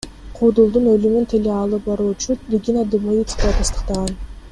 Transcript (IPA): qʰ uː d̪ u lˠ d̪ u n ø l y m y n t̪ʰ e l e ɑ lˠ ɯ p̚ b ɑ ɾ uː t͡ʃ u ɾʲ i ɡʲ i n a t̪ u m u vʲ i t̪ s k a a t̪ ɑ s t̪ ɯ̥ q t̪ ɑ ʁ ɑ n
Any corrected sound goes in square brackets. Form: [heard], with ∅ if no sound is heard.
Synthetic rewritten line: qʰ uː d̪ u lˠ d̪ u n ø l y m y n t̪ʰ e l e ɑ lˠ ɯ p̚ b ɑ ɾ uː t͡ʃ u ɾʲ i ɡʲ i n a [d̪] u m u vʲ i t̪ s k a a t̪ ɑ s t̪ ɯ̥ q t̪ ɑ ʁ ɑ n